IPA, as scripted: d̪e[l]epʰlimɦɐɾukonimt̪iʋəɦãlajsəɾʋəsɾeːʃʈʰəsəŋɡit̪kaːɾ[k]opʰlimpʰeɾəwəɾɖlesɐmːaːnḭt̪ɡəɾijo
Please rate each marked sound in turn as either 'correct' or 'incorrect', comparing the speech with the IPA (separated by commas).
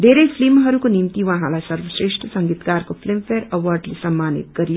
incorrect, correct